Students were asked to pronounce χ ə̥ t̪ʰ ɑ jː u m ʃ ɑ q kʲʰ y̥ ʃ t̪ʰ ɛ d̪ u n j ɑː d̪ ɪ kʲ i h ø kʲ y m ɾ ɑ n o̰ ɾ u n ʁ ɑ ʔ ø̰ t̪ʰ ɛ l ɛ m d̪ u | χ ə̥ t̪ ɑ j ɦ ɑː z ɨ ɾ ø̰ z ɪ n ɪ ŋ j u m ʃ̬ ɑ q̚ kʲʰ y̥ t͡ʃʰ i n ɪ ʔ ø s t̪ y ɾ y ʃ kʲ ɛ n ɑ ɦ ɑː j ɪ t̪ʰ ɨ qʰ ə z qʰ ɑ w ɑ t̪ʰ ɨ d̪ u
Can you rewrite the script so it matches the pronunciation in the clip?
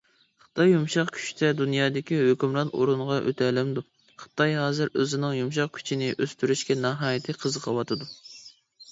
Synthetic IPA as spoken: χ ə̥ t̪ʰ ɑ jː u m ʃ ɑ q kʲʰ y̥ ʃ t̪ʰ ɛ d̪ u n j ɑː d̪ ɪ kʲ i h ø kʲ y m ɾ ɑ n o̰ ɾ u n ʁ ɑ ʔ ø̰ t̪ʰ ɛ l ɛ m d̪ u | χ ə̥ t̪ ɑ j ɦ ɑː z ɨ ɾ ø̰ z ɪ n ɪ ŋ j u m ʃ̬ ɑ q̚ kʲʰ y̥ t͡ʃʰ i n ɪ ʔ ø s t̪ y ɾ y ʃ kʲ ɛ n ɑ ɦ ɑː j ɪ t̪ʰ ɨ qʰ ə z qʰ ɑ w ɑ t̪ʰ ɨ d̪ u